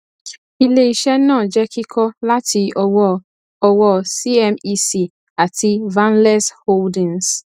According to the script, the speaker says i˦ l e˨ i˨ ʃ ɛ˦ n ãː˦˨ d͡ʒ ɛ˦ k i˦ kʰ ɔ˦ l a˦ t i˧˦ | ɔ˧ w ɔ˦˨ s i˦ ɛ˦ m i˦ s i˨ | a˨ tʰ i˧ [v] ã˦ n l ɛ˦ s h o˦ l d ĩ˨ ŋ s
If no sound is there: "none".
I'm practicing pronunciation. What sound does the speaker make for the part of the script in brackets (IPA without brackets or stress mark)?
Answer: v